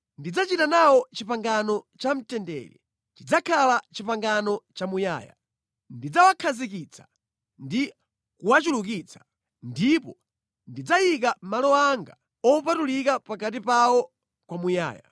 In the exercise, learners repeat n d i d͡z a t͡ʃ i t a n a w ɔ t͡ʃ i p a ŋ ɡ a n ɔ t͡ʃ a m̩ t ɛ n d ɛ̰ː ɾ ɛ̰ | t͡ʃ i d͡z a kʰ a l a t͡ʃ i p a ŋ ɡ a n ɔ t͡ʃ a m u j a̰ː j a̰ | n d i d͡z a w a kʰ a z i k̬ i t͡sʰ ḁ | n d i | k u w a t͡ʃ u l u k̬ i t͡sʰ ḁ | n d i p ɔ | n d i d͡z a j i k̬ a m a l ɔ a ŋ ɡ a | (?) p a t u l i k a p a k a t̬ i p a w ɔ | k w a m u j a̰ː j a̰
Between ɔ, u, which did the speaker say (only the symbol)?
ɔ